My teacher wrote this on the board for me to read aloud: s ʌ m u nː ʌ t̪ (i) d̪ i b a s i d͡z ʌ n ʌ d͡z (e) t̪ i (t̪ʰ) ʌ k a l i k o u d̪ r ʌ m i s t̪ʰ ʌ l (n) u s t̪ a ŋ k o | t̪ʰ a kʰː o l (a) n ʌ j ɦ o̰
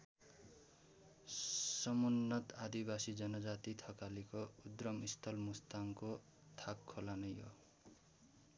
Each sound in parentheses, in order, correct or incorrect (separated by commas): incorrect, incorrect, correct, incorrect, correct